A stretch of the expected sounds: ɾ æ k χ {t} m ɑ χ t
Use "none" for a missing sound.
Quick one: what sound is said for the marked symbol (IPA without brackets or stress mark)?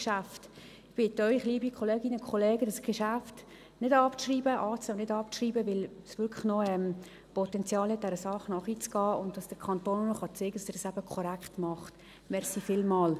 t